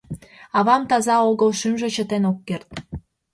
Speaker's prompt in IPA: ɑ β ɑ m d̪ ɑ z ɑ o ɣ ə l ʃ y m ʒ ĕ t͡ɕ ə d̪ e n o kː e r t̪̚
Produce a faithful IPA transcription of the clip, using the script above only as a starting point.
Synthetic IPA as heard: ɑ β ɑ m t̪ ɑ z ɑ o ɣ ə l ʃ y m ʒ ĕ t͡ɕ ə t̪ e n o kː e r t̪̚